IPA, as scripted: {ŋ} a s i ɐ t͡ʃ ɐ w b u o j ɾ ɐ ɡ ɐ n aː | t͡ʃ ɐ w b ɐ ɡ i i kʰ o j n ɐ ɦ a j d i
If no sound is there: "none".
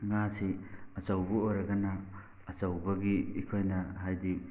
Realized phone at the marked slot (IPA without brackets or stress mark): ŋ